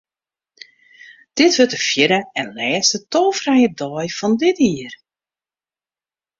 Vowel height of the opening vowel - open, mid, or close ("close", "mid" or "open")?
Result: close